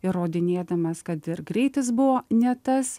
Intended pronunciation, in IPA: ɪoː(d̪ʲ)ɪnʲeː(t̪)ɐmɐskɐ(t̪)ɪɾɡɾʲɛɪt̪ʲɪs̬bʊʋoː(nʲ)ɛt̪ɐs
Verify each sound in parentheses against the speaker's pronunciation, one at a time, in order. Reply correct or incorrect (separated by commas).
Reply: correct, incorrect, correct, correct